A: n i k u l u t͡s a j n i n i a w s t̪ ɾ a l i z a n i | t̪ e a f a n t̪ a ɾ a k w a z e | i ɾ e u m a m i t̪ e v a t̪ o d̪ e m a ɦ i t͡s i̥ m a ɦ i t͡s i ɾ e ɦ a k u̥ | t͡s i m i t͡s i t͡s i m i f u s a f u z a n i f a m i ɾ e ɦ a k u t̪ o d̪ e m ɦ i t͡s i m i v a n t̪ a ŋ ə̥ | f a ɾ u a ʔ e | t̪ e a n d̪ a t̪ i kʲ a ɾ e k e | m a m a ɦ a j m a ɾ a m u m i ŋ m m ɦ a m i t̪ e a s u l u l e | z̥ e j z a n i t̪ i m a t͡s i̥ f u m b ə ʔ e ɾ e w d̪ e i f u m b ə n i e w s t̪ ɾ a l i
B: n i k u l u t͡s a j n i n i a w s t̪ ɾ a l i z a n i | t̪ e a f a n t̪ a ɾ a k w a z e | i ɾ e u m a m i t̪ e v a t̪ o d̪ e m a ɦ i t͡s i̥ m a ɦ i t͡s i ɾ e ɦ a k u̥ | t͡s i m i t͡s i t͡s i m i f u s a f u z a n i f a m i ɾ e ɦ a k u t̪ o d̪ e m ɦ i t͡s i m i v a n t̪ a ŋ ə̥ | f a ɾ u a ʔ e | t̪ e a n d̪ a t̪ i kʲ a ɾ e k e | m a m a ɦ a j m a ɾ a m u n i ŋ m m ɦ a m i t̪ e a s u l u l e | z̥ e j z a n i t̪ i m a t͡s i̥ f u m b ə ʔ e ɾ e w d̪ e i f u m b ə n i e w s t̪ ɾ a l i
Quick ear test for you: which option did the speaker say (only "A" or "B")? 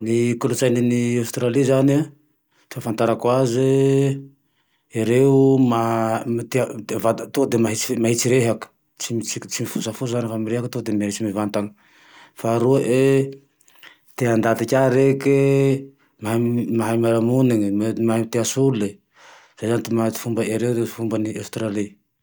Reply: B